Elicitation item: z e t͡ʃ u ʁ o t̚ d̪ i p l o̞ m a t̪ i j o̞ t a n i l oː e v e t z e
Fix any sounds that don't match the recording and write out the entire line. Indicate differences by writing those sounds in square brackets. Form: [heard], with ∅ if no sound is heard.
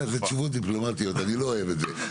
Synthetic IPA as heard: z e t͡ʃ u [v] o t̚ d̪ i p l o̞ m a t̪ i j o̞ t a n i l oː e v e t z e

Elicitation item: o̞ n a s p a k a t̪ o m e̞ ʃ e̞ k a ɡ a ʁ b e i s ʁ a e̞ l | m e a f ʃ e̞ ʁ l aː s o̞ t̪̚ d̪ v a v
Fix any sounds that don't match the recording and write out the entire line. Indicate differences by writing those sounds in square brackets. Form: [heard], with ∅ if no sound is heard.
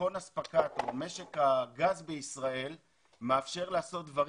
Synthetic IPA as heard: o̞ n a s p a k a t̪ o m e̞ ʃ e̞ k a ɡ a [z] b e i s ʁ a e̞ l | m e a f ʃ e̞ ʁ l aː s o̞ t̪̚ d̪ v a [ʁ]

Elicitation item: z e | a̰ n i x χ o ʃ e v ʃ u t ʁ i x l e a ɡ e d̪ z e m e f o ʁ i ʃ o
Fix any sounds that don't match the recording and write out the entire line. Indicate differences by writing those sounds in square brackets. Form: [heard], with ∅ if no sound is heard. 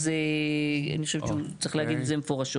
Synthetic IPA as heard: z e | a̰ n i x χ o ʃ e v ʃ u [t͡s] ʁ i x l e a ɡ [i] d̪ z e m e f o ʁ [a] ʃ o

